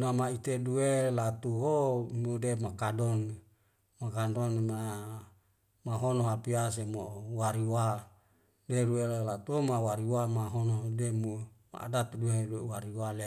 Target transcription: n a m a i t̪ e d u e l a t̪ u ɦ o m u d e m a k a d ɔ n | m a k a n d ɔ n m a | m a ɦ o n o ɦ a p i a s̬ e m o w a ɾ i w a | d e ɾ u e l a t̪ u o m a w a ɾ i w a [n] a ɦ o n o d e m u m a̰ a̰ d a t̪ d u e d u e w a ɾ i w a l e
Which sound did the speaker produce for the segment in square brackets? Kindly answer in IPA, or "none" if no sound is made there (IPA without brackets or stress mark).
m